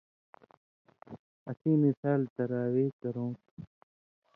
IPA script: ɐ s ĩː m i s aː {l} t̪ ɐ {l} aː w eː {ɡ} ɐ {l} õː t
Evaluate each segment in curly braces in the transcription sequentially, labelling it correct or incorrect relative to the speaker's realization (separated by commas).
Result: correct, incorrect, incorrect, incorrect